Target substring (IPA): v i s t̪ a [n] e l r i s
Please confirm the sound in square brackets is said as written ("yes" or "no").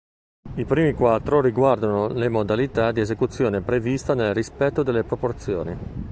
yes